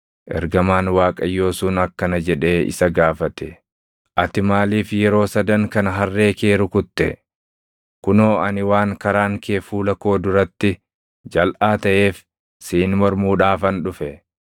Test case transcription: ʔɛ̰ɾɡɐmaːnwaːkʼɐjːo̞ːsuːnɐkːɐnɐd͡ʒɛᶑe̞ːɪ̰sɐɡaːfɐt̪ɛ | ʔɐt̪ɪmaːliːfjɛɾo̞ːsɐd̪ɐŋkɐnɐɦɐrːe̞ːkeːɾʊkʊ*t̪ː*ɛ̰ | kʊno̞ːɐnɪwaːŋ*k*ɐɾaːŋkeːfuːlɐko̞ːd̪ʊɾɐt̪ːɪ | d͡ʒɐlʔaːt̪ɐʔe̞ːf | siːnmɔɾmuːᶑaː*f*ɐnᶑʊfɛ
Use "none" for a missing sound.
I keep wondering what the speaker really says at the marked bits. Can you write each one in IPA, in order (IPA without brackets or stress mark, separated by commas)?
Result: t̪ː, k, f